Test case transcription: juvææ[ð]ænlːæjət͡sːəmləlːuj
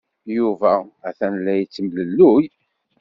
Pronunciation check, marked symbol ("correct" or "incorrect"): incorrect